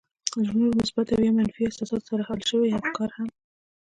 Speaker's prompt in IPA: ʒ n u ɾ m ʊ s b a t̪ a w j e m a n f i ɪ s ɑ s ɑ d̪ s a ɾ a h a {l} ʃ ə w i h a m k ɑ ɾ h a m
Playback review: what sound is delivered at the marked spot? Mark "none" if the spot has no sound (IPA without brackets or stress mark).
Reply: l